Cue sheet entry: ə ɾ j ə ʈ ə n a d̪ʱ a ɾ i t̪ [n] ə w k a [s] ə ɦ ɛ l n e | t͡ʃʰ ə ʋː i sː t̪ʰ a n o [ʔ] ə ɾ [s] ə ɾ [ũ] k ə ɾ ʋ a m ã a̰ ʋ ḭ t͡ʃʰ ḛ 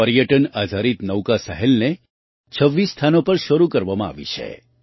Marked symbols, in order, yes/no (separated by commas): yes, yes, no, no, no